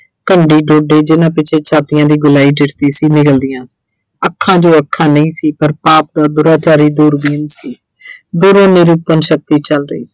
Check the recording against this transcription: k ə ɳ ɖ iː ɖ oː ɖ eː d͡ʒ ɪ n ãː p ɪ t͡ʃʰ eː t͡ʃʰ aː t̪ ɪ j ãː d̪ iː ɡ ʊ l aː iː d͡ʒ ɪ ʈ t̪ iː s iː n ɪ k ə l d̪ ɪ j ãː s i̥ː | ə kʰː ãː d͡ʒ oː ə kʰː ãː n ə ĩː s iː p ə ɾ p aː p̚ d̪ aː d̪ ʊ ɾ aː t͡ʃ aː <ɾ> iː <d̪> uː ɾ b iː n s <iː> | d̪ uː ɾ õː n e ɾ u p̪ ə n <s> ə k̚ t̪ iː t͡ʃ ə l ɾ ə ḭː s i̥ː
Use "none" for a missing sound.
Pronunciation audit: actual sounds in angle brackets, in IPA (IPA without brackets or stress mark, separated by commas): ɾ, d̪, iː, ʃ